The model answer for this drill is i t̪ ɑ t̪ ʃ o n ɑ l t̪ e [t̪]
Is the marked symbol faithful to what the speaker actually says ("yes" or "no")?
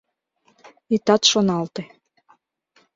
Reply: no